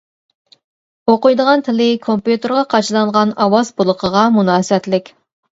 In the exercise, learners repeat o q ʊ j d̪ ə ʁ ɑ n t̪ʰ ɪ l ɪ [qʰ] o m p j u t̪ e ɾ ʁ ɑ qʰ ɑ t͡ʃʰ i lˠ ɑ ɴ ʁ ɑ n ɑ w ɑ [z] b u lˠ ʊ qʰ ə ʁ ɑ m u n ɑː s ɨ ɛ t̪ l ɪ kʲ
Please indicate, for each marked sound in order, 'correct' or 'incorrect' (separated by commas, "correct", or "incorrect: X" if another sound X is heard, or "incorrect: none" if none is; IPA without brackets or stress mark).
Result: incorrect: kʰ, correct